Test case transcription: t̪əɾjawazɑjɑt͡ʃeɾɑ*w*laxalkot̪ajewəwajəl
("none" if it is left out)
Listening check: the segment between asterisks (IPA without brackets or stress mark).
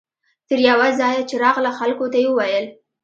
ɣ